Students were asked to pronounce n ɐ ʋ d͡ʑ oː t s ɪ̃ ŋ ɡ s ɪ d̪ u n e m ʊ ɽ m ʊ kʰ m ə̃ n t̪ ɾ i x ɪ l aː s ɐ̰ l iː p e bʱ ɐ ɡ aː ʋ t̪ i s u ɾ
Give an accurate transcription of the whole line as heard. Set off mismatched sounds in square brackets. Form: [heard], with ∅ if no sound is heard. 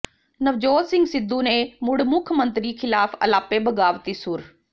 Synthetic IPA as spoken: n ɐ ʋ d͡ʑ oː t s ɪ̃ ŋ ɡ s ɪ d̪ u n e m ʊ ɽ m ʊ kʰ m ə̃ n t̪ ɾ i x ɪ l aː [f] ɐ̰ l [aː] p e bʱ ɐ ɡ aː ʋ t̪ i s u ɾ